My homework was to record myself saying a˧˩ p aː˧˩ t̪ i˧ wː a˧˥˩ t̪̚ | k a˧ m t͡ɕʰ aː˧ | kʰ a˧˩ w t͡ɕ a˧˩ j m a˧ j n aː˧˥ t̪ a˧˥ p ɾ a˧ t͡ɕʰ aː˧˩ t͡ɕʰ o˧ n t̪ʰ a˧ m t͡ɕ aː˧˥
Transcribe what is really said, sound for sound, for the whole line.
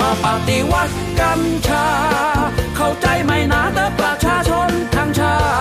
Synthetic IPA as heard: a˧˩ p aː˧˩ t̪ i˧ w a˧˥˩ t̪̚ | k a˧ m t͡ɕʰ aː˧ | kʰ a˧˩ w t͡ɕ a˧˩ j m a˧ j n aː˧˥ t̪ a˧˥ p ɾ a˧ t͡ɕʰ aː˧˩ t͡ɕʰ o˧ n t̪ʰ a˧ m t͡ɕʰ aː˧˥